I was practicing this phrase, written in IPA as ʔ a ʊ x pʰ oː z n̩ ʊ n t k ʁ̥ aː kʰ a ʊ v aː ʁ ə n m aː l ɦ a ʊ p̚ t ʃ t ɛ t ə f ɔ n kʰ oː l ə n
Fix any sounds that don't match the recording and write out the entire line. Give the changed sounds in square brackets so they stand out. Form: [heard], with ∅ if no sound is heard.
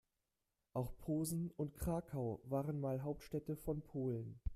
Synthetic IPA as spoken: ʔ a ʊ x pʰ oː z n̩ ʊ n t k ʁ̥ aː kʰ a ʊ v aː ʁ ə n m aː l ɦ a ʊ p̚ t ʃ t ɛ t ə f ɔ n [pʰ] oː l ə n